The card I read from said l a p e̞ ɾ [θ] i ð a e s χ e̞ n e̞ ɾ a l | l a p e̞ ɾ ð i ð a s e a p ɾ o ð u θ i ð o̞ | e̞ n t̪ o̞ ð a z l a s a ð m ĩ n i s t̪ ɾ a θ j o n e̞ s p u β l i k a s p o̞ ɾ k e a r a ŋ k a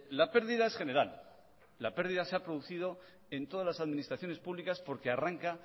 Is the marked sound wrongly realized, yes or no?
yes